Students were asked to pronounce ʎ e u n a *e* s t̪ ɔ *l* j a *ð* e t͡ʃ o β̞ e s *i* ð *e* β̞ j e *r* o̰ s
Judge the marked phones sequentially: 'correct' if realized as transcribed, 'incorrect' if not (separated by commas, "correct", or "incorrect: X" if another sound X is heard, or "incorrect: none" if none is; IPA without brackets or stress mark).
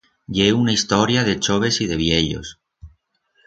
incorrect: i, incorrect: ɾ, correct, correct, correct, incorrect: ʎ